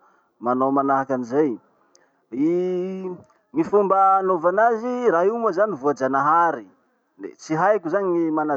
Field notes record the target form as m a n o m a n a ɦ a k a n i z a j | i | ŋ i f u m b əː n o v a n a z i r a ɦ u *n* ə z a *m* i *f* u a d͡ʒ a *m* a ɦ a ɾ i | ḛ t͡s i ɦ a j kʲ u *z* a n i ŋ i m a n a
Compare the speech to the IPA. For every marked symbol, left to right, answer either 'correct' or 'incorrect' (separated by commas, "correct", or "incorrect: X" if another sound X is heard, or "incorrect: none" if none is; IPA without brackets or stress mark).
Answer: incorrect: m, incorrect: n, incorrect: v, incorrect: n, correct